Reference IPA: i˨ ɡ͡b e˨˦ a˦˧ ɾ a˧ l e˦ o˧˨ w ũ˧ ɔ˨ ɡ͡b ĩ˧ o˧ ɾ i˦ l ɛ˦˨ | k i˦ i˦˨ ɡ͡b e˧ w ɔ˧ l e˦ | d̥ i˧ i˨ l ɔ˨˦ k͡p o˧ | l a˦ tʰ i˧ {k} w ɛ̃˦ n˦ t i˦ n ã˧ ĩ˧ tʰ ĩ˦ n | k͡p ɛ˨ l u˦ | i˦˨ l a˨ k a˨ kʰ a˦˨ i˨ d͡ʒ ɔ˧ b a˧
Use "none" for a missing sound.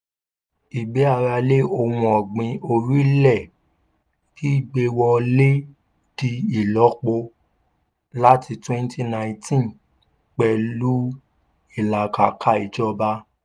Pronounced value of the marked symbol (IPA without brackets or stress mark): t